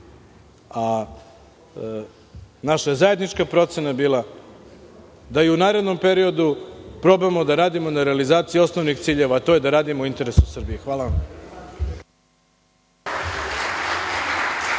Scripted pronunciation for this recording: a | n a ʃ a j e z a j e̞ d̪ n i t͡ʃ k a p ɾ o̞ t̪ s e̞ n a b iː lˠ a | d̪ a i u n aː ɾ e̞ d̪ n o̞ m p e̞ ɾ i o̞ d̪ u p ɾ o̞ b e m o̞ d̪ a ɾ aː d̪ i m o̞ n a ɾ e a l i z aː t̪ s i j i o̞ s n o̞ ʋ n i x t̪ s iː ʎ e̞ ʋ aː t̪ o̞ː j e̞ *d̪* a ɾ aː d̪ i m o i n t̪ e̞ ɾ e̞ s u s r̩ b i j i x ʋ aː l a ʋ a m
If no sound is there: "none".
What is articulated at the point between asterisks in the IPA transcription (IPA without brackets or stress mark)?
d̪